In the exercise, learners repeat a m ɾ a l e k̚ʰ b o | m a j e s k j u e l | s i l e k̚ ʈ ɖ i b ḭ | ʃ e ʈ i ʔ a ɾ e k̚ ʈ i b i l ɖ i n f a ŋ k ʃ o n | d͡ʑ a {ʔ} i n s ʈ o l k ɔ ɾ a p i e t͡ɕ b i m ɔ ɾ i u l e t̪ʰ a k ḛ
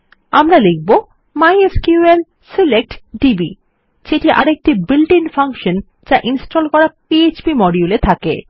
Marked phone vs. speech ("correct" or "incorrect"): correct